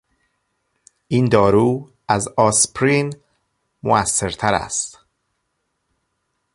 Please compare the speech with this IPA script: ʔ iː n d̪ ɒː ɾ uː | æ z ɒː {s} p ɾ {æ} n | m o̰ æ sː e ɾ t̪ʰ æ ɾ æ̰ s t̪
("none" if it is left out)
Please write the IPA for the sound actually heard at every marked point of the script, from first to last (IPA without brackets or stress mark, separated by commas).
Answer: s, i